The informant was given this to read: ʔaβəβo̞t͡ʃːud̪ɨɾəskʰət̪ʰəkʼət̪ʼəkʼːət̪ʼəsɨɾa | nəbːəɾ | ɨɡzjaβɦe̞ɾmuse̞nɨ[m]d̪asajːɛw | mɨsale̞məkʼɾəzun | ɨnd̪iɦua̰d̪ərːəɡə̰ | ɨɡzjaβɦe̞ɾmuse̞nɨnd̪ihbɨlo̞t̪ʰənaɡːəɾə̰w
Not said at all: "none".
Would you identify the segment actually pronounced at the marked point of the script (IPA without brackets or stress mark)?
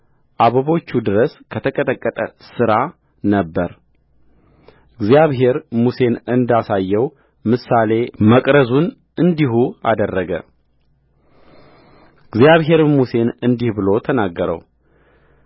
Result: n